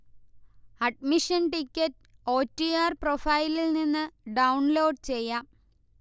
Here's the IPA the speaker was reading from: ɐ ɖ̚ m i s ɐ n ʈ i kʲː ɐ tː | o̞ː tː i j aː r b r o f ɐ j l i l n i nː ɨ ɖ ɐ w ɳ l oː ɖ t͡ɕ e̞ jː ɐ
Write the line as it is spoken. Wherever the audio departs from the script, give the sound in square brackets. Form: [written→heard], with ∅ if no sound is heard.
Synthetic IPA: ɐ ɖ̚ m i [s→ʂ] ɐ n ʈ i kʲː ɐ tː | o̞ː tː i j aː r [b→p] r o f ɐ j l i l n i nː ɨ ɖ ɐ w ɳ l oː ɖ t͡ɕ e̞ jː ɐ